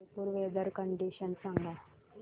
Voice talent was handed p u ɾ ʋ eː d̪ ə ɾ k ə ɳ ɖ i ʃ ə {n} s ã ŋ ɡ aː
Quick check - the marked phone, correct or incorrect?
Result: correct